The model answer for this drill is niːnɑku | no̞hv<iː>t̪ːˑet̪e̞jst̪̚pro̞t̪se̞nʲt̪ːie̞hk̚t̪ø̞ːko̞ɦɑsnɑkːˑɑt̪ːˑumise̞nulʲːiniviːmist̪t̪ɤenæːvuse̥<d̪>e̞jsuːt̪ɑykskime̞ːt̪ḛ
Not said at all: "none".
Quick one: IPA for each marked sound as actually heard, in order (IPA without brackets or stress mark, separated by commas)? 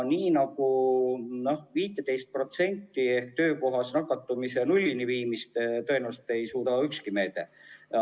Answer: iː, t̪